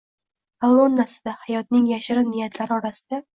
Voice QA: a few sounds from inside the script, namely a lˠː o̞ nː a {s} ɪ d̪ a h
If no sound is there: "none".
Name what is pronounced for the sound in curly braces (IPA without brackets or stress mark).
s